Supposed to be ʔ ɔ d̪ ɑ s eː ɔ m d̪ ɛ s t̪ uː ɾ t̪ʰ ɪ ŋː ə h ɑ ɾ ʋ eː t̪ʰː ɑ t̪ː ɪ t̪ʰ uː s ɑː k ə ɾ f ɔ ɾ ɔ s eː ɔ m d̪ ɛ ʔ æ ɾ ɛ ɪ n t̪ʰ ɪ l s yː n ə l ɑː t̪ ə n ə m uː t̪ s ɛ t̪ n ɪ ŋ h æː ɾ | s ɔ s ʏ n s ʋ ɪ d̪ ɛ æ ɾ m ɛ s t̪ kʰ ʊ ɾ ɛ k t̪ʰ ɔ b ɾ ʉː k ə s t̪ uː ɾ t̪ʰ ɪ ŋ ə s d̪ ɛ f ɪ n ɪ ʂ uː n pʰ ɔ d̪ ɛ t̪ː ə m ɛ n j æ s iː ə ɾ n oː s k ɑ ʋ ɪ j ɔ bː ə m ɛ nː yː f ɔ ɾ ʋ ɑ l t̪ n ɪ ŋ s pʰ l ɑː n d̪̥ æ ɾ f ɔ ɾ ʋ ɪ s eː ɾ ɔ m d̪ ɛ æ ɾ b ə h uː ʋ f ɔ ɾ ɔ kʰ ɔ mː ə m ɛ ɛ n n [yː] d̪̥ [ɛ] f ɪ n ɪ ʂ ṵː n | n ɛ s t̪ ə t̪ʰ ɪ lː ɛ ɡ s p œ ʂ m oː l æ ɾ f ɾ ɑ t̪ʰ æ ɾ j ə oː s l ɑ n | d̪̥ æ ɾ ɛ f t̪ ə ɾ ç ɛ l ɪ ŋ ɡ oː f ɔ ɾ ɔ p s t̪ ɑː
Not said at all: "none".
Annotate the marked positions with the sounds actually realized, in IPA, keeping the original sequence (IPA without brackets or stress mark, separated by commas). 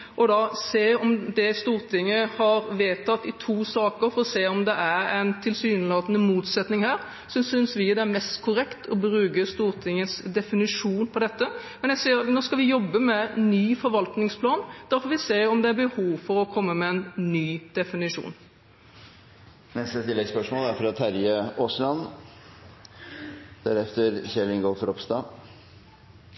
yː, ɛ